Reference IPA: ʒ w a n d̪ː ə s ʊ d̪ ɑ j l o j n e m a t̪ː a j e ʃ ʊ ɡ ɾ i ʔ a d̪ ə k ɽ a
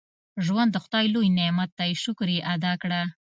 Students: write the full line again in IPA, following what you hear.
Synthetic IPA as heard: ʒ w a n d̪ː ə x ʊ d̪ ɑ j l o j n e m a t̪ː a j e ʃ ʊ k ɾ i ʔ a d̪ ɑ k ɽ a